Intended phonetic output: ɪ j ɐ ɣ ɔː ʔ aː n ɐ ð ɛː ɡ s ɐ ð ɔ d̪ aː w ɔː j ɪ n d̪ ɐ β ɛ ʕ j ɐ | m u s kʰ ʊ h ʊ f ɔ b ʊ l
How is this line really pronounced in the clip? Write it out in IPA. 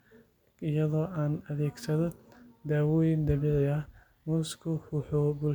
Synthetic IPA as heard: ɪ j ɐ ð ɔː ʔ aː n ɐ ð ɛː ɡ s ɐ ð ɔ d̪ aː w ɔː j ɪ n d̪ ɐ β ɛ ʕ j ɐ | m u s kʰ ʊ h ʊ ħ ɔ b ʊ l